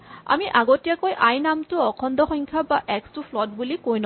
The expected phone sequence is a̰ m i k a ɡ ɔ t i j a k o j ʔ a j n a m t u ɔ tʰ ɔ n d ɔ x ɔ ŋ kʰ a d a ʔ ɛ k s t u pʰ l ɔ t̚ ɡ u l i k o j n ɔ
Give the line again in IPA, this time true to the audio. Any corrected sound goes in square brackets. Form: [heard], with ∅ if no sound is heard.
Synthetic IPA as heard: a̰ m i [ʔ] a ɡ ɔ t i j a k o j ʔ a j n a m t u ɔ [kʰ] ɔ n d ɔ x ɔ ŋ kʰ a [b] a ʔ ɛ k s t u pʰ l ɔ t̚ [b] u l i k o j n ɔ